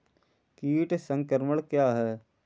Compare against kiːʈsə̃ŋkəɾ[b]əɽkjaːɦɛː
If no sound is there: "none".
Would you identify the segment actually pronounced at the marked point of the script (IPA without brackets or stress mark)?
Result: m